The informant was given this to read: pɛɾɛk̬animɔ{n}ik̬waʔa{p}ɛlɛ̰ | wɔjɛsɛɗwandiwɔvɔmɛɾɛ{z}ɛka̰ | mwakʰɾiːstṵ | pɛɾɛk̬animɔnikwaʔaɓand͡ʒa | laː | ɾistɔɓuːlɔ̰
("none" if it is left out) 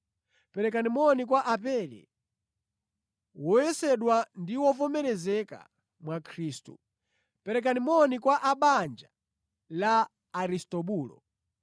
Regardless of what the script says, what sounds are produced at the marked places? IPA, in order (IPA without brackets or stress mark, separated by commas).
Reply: n, p, z